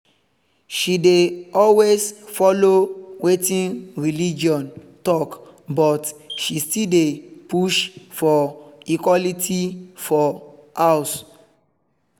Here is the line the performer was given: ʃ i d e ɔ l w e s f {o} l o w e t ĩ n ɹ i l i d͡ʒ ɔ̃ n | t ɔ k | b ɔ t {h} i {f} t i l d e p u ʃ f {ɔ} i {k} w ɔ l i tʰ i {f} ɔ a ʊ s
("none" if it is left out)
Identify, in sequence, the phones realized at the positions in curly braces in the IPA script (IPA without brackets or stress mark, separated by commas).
ɔ, ʃ, s, ɔ, k, f